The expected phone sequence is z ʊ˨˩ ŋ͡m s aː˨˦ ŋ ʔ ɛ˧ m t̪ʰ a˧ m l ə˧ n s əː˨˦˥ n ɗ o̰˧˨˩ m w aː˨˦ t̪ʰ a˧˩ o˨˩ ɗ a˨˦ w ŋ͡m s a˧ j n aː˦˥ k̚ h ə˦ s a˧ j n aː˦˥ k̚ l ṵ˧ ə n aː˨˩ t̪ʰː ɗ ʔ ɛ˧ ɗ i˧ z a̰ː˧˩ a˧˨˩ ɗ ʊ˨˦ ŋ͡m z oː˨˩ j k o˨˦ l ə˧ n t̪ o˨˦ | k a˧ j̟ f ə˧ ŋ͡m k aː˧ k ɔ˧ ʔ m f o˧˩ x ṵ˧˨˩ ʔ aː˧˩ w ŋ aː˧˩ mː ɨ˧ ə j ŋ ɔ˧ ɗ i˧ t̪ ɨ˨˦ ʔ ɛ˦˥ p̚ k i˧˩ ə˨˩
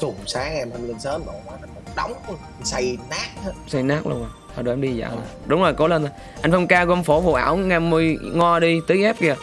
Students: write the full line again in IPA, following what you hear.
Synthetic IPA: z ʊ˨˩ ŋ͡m s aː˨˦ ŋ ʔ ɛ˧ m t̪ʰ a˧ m l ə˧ n s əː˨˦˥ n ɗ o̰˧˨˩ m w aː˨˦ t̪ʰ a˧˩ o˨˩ ɗ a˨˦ w ŋ͡m s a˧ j n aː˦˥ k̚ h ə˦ s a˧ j n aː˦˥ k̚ l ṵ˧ ə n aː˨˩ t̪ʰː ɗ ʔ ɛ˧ ɗ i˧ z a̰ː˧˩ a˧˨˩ ɗ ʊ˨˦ ŋ͡m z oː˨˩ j k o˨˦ l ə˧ n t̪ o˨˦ | ʔ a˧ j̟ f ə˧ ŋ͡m k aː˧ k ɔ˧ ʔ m f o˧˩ f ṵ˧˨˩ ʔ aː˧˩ w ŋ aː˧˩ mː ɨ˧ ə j ŋ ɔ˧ ɗ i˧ t̪ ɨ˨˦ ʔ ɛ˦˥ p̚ k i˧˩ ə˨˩